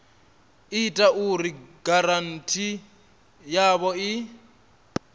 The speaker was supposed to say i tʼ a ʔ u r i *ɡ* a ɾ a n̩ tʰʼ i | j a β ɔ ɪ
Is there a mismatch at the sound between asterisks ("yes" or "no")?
no